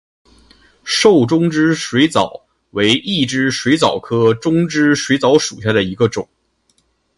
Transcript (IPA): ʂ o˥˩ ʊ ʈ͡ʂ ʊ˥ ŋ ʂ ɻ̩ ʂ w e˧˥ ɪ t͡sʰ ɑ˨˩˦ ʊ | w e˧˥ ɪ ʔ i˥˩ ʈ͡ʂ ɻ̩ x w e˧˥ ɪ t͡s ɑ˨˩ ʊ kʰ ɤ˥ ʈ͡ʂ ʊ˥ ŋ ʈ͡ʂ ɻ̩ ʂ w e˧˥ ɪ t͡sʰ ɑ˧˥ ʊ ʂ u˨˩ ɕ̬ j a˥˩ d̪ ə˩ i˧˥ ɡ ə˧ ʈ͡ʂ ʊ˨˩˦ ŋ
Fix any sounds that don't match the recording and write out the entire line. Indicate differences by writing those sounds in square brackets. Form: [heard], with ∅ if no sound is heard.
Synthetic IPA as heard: ʂ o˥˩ ʊ ʈ͡ʂ ʊ˥ ŋ [ʈ͡ʂ] ɻ̩ ʂ w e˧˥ ɪ [t͡s] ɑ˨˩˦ ʊ | w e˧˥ ɪ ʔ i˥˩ ʈ͡ʂ ɻ̩ [ʂ] w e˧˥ ɪ t͡s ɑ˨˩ ʊ kʰ ɤ˥ ʈ͡ʂ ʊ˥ ŋ ʈ͡ʂ ɻ̩ ʂ w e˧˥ ɪ [t͡s] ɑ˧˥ ʊ ʂ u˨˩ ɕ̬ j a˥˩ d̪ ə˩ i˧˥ ɡ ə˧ ʈ͡ʂ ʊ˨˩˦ ŋ